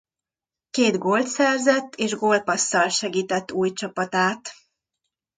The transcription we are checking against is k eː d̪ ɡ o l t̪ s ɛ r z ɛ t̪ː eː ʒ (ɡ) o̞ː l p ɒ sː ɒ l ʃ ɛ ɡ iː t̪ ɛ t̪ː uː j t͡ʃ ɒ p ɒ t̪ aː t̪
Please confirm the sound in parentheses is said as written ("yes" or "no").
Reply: yes